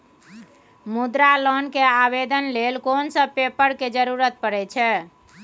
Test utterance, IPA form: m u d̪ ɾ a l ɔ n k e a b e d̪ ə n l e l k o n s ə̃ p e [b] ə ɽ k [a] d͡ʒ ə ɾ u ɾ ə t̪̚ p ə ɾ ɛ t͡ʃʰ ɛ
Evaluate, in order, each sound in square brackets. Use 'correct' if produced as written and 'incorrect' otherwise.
incorrect: p, incorrect: e

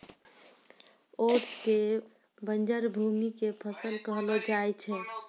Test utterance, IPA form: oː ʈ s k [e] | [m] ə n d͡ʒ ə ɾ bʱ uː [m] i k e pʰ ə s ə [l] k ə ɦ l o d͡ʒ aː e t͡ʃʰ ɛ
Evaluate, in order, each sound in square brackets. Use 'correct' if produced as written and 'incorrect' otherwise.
correct, incorrect: b, correct, correct

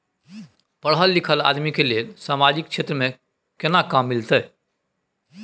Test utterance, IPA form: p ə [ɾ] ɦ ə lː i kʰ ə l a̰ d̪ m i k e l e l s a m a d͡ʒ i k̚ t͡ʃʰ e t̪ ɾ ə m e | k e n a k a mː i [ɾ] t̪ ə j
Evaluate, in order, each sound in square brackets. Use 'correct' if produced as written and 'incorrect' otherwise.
incorrect: ɽ, incorrect: l

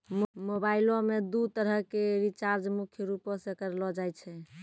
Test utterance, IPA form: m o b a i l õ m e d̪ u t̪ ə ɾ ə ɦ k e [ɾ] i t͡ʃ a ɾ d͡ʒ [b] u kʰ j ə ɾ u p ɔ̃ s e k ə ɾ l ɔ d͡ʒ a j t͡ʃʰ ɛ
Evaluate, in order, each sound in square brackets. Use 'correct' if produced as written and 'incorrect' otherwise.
correct, incorrect: m

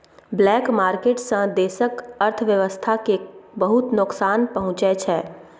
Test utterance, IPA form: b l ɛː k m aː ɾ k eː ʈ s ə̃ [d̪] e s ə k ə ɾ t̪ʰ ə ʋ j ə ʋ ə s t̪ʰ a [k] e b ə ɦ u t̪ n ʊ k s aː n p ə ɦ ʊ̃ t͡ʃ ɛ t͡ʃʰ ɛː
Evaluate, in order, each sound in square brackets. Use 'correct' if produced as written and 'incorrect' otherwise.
correct, correct

